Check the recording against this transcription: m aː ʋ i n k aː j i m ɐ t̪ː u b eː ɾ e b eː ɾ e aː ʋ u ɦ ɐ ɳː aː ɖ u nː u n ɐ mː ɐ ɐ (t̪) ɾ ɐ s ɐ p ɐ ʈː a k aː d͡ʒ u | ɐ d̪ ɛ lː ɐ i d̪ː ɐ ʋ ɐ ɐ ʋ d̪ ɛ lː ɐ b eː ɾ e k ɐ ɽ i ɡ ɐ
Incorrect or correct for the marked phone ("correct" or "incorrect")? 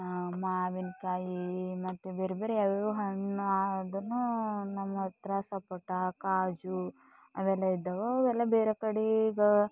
correct